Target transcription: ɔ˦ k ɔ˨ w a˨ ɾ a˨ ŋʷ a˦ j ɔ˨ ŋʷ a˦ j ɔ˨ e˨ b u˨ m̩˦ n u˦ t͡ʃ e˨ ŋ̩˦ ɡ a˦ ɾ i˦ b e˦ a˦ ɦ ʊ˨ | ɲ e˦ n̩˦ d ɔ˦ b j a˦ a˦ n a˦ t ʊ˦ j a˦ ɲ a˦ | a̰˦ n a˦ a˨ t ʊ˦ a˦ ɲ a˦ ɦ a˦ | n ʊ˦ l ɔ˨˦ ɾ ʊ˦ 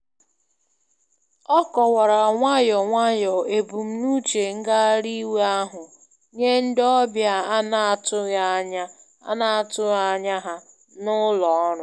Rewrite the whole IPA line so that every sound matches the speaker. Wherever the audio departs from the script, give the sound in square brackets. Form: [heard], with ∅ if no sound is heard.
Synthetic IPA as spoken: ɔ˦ k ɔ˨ w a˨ ɾ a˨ ŋʷ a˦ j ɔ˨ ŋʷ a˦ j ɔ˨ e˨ b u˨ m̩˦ n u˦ t͡ʃ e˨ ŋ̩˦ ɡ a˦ ɾ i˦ [w] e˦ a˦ ɦ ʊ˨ | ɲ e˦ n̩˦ d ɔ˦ b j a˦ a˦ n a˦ t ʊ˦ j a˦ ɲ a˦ | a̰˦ n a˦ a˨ t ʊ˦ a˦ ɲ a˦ ɦ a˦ | n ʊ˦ l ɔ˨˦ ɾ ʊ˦